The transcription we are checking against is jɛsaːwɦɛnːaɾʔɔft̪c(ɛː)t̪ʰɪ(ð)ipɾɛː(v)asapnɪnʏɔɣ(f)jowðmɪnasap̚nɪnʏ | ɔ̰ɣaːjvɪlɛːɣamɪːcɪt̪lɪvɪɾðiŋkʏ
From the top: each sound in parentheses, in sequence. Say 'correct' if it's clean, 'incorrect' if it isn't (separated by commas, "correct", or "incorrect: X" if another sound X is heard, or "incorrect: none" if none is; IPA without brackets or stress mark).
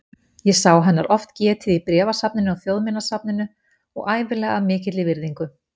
correct, correct, correct, incorrect: θ